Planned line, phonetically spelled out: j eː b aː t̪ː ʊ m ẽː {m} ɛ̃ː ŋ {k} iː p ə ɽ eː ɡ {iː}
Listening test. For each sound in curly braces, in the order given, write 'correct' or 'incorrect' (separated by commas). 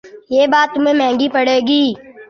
correct, incorrect, correct